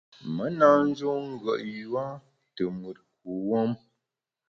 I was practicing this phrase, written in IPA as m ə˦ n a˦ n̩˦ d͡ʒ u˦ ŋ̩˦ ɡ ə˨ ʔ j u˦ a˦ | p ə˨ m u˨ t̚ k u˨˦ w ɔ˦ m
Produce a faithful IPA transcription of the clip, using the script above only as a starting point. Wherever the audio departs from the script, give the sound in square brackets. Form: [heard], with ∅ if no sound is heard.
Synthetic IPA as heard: m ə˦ n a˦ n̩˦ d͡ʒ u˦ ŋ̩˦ ɡ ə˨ ʔ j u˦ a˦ | [t] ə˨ m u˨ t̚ k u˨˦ w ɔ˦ m